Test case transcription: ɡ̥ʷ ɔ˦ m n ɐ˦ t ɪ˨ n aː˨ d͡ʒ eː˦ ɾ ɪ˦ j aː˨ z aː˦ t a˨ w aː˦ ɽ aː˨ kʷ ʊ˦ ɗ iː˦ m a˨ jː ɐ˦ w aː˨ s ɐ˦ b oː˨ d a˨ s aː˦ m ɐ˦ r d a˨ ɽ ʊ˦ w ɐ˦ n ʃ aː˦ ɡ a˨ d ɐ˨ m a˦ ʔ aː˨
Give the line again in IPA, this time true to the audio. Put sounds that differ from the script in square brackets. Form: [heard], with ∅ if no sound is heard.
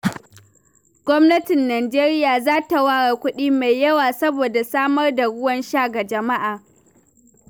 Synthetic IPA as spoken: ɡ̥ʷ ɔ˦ m n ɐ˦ t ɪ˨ [nː] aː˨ d͡ʒ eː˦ ɾ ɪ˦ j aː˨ z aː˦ t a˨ w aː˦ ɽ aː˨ kʷ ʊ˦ ɗ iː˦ m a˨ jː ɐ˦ w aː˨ s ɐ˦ b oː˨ d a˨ s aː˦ m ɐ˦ r d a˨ ɽ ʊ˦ w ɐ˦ n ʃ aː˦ ɡ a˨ [d͡ʒ] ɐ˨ m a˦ ʔ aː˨

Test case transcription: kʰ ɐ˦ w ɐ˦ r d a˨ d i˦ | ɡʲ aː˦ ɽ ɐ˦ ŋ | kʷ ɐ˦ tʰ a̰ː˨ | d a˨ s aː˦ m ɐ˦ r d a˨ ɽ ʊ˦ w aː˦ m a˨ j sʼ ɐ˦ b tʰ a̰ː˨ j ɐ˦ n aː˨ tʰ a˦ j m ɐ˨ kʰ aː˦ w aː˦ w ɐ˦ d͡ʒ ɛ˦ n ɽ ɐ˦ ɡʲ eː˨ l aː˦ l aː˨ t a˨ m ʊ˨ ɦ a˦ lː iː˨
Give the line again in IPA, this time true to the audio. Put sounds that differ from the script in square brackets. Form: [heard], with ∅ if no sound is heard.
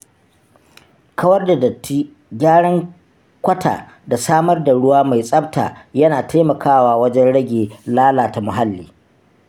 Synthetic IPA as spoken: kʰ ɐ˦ w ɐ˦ r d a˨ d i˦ | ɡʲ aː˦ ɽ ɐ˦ ŋ | kʷ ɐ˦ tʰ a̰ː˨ | d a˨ s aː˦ m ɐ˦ r d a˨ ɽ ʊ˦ w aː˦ m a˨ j sʼ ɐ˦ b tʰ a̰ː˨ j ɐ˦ n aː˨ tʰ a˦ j m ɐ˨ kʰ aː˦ w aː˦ w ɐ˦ d͡ʒ ɛ˦ n ɽ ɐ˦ ɡʲ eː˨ l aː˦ l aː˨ t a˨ m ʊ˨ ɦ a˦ lː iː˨

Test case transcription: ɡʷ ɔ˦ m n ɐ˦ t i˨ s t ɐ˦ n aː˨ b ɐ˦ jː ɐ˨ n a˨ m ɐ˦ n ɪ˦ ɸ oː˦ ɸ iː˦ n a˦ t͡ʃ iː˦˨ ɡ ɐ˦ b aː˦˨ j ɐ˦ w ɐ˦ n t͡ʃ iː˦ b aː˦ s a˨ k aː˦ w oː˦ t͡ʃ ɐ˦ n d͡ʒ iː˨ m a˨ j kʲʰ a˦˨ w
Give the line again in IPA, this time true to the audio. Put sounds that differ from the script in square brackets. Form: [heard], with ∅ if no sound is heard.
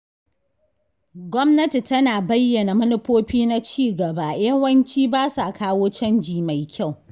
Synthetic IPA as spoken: ɡʷ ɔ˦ m n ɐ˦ t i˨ [∅] t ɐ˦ n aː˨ b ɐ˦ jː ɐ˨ n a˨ m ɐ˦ n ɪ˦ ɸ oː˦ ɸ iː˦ n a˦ t͡ʃ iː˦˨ ɡ [ɐ˨] b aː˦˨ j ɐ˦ w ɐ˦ n t͡ʃ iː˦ b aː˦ s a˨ k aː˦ w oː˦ t͡ʃ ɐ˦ n d͡ʒ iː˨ m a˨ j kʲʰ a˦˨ w

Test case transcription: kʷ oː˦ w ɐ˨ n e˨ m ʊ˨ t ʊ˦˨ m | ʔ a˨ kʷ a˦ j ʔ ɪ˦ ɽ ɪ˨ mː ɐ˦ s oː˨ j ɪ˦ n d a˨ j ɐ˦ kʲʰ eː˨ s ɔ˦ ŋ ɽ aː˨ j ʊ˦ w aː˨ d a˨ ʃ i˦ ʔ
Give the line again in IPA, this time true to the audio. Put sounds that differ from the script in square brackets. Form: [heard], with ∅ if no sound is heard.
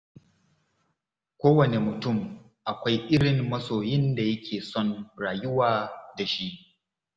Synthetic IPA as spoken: kʷ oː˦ w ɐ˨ n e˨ m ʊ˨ t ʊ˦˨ m | ʔ a˨ kʷ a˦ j ʔ ɪ˦ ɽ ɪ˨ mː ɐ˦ s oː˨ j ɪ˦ n d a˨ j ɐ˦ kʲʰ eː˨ s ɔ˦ [n] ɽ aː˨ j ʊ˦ w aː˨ d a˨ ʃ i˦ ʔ

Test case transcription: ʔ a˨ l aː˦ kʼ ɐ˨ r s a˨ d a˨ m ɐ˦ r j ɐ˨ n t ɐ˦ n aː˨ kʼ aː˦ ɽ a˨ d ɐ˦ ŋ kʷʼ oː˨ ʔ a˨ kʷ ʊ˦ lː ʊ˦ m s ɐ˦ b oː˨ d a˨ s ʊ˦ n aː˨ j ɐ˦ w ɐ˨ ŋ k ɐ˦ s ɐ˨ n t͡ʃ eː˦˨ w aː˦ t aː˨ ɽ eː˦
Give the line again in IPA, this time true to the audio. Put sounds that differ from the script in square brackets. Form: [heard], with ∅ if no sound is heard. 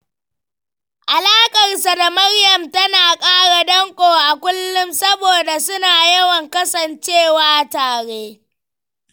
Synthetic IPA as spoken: ʔ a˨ l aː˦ kʼ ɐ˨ r s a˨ d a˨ m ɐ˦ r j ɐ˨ [m] t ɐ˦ n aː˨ kʼ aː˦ ɽ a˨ d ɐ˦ ŋ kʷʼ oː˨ ʔ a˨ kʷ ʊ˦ lː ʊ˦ m s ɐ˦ b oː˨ d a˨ s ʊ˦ n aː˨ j ɐ˦ w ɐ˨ ŋ k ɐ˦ s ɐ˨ n t͡ʃ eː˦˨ w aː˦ t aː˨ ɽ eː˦

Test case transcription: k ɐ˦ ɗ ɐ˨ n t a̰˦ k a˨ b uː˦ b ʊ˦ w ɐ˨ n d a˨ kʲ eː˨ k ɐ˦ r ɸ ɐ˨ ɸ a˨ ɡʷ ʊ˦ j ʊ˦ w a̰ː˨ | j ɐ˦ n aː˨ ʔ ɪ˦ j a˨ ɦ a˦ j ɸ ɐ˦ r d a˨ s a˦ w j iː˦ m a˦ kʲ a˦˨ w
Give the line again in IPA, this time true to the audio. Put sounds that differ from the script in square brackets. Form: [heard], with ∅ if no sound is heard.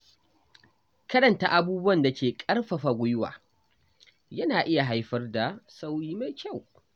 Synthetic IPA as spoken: k ɐ˦ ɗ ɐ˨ n t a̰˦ [ʔ] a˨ b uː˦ b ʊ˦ w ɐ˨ n d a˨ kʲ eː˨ [kʼ] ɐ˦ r ɸ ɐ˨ ɸ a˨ ɡʷ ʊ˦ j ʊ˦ w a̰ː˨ | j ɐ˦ n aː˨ ʔ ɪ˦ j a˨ ɦ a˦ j ɸ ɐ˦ r d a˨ s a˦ w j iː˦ m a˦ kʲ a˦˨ w

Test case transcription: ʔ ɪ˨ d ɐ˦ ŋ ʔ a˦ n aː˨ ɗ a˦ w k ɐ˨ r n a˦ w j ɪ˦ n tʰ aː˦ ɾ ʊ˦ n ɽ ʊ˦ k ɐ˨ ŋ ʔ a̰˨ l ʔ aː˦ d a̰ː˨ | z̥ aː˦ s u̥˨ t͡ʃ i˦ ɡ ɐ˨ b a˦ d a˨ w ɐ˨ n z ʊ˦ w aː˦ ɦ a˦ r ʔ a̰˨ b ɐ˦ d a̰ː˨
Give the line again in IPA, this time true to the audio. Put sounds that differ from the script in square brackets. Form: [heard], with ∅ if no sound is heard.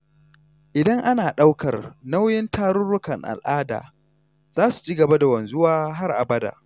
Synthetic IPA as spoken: ʔ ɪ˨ d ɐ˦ ŋ ʔ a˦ n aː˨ ɗ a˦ w k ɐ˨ r n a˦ w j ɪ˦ n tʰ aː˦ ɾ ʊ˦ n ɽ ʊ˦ k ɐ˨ ŋ ʔ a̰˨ l ʔ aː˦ d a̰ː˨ | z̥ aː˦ s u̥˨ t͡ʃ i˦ ɡ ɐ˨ b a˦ d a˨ w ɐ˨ n z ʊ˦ w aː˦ ɦ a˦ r ʔ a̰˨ b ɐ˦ d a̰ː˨

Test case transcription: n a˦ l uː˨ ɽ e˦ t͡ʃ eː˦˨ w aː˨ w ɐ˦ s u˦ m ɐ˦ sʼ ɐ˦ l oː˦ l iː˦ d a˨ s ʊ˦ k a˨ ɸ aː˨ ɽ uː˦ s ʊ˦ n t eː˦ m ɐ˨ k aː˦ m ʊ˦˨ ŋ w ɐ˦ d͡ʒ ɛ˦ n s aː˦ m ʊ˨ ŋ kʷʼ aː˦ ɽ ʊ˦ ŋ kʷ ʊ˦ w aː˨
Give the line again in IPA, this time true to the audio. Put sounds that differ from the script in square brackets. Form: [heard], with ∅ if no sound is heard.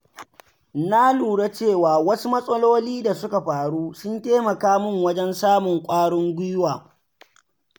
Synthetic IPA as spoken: n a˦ l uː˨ ɽ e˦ t͡ʃ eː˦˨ w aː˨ w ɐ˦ s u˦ m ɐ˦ sʼ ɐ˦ l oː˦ l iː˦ d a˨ s ʊ˦ k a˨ ɸ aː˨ ɽ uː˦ s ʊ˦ n t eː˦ m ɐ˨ k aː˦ m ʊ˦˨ ŋ w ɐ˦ d͡ʒ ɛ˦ n s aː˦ m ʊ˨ ŋ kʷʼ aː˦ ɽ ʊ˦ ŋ [ɡʷ] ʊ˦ w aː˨

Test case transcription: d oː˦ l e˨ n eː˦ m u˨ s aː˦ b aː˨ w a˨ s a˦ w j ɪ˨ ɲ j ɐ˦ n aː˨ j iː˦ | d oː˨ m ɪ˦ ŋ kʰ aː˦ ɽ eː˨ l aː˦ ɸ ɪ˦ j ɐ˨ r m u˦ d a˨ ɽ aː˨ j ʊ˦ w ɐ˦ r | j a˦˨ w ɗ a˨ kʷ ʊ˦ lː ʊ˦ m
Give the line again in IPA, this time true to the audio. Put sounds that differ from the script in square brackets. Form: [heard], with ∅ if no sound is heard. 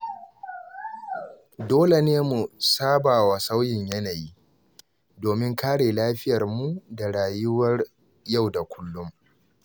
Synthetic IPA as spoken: d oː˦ l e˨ n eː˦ m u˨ s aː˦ b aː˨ w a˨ s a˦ w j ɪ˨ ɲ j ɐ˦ n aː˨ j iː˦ | d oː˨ m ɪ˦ ŋ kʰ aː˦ ɽ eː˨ l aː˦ ɸ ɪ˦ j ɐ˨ r m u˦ d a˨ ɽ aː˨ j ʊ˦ w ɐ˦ r | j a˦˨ w [d] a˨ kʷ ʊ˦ lː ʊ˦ m

